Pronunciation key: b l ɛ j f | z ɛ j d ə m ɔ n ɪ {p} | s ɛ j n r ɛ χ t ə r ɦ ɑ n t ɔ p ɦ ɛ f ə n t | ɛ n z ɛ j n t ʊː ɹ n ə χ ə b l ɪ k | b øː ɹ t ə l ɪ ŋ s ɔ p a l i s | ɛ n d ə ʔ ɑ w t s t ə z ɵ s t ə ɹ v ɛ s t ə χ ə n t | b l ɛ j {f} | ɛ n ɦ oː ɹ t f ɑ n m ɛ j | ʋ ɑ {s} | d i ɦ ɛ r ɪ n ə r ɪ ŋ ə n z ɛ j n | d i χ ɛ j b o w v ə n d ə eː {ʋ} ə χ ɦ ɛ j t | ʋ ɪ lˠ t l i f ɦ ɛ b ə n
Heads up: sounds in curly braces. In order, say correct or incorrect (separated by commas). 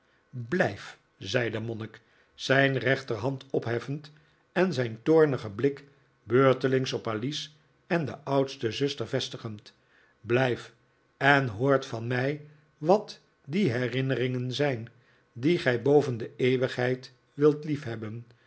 incorrect, correct, incorrect, correct